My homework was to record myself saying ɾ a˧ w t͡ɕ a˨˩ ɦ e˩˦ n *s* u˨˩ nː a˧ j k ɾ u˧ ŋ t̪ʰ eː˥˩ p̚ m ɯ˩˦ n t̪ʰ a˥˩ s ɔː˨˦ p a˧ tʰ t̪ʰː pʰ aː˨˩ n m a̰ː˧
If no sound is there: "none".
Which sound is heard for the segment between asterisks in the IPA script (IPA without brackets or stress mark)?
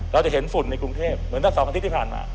f